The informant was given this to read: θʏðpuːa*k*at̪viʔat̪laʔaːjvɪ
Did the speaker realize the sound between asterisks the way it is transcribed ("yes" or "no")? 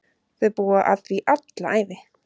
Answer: no